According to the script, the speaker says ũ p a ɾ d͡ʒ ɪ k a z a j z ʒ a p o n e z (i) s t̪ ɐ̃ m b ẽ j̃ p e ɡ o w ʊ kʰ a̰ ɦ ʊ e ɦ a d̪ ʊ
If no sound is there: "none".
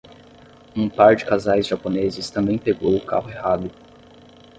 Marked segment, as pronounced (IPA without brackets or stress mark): ɪ